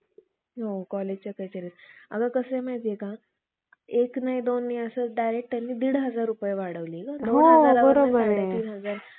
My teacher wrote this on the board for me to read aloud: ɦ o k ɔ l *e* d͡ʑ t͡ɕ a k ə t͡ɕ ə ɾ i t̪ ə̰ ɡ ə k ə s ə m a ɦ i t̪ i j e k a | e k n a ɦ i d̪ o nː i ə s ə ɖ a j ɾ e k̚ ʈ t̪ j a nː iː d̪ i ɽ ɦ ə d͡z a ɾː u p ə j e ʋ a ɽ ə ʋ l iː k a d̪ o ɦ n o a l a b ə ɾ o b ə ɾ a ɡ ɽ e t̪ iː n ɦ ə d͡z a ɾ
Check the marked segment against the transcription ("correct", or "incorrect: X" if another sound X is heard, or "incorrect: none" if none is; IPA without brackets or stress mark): correct